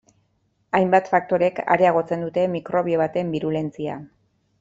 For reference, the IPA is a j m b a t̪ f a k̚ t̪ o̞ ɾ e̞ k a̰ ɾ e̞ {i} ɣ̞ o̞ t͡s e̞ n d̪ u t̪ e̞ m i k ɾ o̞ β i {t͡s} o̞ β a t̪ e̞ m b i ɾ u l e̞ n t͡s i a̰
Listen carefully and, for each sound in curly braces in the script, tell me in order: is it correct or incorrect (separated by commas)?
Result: incorrect, incorrect